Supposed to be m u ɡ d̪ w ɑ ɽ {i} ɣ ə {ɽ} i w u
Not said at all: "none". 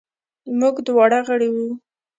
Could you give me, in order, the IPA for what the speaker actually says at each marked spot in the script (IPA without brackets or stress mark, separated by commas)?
a, ɽ